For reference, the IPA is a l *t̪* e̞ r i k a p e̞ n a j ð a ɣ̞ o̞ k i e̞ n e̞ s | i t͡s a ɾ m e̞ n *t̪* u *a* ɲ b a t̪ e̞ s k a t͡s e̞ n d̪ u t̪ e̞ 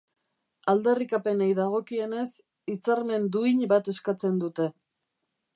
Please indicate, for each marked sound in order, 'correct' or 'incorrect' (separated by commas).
incorrect, incorrect, incorrect